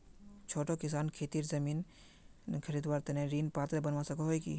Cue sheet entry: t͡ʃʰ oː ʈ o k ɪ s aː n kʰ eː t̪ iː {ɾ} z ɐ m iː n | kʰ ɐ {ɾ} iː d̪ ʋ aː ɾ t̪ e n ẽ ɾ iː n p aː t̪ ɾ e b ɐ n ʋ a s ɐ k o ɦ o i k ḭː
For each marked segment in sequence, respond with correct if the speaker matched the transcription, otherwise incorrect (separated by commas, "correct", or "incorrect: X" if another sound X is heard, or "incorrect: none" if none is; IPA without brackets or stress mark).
correct, correct